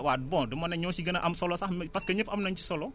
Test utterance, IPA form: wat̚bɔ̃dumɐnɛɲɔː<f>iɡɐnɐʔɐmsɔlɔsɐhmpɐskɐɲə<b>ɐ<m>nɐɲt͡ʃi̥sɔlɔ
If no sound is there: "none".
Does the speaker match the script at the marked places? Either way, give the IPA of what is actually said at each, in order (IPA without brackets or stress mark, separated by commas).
s, p, m